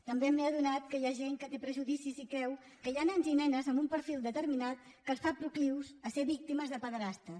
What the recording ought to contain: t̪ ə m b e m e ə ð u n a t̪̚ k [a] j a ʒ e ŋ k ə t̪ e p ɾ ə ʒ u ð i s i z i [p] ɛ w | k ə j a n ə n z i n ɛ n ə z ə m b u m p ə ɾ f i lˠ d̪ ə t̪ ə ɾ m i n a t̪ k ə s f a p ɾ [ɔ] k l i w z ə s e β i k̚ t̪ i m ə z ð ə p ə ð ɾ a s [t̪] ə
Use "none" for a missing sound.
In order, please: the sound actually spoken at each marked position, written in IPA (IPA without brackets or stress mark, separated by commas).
ə, k, u, t̪